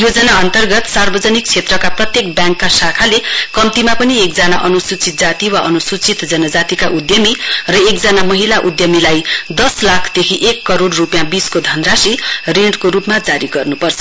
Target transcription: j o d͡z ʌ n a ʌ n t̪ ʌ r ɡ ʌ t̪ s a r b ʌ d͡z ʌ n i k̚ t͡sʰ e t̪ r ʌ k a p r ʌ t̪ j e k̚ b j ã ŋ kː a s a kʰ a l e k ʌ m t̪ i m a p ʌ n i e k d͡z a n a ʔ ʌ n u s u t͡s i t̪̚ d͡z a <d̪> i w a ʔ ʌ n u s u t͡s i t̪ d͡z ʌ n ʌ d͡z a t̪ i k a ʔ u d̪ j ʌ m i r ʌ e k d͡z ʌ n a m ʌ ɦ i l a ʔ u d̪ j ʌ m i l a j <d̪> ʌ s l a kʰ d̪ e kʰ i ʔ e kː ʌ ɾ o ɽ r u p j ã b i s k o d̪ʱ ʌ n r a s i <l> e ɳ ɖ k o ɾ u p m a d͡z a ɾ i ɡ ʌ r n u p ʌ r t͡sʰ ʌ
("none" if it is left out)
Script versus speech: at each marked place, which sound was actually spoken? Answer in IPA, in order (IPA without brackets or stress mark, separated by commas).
t̪, d̪, r